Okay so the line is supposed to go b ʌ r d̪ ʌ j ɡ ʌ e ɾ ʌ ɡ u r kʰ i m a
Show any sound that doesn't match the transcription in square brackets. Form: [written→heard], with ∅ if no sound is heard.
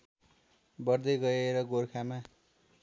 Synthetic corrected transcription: b ʌ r d̪ ʌ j ɡ ʌ e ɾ ʌ ɡ [u→o] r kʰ [i→a] m a